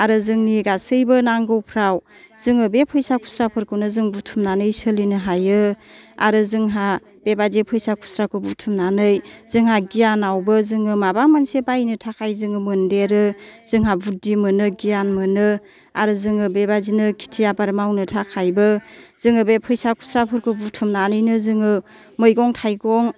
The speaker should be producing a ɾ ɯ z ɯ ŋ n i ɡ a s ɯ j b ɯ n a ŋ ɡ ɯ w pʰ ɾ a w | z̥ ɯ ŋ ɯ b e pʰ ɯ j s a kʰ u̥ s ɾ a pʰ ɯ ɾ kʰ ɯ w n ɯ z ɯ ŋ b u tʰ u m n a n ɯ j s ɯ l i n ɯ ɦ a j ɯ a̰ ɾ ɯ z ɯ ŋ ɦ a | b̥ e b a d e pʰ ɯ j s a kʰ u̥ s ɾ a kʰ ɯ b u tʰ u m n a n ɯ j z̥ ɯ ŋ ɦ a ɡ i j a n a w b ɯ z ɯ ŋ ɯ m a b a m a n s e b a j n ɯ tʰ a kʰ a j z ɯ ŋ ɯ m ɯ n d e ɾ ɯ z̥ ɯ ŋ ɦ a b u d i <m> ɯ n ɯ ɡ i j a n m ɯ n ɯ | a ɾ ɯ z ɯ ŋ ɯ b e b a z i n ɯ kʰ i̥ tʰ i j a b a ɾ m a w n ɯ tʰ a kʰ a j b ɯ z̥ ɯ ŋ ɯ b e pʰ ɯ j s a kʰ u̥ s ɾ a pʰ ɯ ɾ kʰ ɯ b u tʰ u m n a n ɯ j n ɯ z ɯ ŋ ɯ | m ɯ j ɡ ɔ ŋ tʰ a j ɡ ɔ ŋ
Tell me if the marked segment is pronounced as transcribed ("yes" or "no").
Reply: yes